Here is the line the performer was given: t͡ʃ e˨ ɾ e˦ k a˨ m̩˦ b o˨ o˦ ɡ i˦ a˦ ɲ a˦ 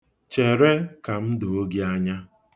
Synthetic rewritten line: t͡ʃ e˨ ɾ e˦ k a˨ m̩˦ d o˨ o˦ ɡ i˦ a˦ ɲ a˦